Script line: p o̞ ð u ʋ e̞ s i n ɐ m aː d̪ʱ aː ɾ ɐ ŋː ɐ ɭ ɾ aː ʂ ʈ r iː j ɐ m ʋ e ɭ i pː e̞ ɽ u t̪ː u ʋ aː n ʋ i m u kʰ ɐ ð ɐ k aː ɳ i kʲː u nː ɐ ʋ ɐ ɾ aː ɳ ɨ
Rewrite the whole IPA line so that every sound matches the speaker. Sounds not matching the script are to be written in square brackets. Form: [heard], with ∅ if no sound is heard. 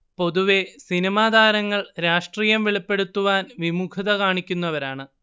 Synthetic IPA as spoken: p o̞ ð u ʋ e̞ s i n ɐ m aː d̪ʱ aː ɾ ɐ ŋː ɐ ɭ ɾ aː ʂ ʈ r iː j ɐ m ʋ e ɭ i pː e̞ ɽ u t̪ː u ʋ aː n ʋ i m u kʰ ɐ ð ɐ k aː ɳ i kʲː u nː ɐ ʋ ɐ ɾ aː ɳ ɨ